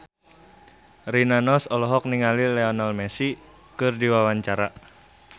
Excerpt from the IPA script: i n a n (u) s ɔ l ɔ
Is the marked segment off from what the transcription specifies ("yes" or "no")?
yes